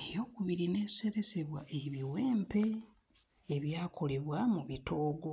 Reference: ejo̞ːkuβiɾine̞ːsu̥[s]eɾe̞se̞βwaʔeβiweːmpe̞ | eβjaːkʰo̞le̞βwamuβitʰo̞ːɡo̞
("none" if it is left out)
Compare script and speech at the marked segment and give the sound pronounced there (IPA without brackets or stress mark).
s